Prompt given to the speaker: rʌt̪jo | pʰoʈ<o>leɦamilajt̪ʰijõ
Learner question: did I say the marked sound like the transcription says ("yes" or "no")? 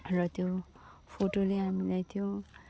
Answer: yes